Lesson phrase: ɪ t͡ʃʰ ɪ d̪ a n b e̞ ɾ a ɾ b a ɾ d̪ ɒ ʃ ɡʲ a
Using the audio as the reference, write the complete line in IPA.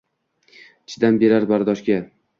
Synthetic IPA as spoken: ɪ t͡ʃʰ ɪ d̪ a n b e̞ ɾ a ɾ b a ɾ d̪ ɒ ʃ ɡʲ a